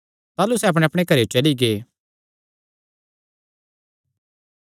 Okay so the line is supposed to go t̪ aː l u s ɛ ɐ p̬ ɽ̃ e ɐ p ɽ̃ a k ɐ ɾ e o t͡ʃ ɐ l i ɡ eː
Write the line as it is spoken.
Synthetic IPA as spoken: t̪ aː l u s ɛ ɐ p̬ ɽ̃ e ɐ p ɽ̃ e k ɐ ɾ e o t͡ʃ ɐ l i ɡ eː